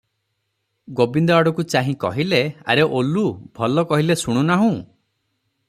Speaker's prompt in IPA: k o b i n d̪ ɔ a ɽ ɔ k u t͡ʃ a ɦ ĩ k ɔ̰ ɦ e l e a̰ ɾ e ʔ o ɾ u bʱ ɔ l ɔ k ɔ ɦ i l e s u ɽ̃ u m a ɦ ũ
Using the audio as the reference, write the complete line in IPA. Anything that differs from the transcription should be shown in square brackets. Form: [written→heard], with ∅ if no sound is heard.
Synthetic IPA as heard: [k→ɡ] o b i n d̪ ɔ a ɽ ɔ k u t͡ʃ a ɦ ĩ k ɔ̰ ɦ [e→i] l e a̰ ɾ e ʔ o [ɾ→l] u bʱ ɔ l ɔ k ɔ ɦ i l e s u ɽ̃ u [m→n] a ɦ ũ